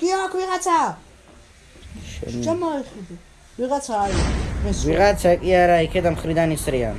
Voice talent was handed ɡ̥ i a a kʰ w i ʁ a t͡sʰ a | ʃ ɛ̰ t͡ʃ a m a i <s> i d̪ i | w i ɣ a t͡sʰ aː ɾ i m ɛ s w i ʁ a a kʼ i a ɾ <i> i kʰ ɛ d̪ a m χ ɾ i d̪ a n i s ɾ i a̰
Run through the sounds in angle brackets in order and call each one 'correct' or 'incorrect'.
incorrect: χ, incorrect: a

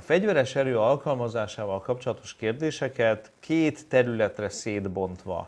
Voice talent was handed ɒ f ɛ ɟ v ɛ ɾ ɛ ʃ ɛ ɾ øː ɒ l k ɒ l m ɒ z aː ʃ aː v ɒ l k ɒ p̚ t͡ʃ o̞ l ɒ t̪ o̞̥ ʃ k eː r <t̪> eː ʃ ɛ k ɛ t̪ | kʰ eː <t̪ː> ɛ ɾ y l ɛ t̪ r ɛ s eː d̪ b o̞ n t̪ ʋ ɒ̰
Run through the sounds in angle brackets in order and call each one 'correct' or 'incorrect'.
incorrect: d̪, correct

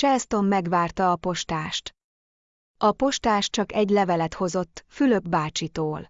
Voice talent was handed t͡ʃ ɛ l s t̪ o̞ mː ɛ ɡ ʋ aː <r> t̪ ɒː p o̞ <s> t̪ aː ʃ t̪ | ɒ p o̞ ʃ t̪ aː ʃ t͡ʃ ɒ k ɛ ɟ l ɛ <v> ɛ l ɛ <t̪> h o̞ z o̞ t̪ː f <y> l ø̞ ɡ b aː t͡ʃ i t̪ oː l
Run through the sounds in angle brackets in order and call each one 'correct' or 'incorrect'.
correct, incorrect: ʃ, correct, correct, correct

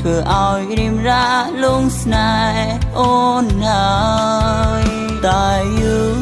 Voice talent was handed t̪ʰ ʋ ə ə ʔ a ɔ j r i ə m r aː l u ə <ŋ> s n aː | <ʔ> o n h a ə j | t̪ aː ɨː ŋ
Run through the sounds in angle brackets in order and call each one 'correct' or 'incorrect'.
correct, correct

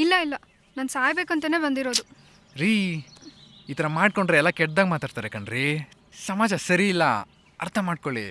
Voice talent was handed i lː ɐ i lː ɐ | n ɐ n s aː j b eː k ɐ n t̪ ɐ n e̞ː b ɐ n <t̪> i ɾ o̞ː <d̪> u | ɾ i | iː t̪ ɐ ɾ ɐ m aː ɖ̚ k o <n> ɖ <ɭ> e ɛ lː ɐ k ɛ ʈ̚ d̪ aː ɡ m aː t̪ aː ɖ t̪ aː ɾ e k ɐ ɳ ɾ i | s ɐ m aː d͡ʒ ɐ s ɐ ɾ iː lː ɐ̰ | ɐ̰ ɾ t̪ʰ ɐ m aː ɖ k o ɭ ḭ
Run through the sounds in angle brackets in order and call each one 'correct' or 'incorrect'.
incorrect: d̪, correct, incorrect: ɳ, incorrect: ɾ

